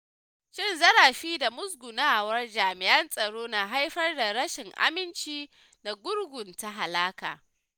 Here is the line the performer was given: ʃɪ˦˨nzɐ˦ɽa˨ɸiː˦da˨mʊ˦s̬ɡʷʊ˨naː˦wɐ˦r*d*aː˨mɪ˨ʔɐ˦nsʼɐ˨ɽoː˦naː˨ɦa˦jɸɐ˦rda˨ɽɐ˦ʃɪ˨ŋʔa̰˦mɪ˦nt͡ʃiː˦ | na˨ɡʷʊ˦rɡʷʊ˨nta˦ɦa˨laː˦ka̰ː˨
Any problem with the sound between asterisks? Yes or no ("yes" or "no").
yes